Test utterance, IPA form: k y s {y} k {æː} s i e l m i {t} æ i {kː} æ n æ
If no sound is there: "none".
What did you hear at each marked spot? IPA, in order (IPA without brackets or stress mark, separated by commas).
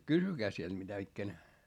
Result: y, æː, t, kː